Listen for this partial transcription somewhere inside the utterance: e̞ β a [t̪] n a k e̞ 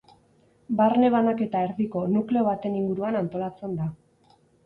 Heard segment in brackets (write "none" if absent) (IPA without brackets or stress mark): none